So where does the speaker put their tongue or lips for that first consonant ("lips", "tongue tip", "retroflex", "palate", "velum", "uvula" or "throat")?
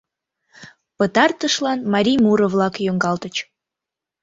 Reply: lips